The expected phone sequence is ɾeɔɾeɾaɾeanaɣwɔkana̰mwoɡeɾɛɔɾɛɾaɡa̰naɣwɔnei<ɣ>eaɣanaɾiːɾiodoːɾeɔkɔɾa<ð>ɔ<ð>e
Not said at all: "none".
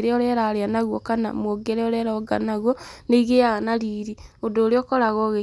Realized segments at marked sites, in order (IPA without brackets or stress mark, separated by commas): ɣ, ɣ, ɣ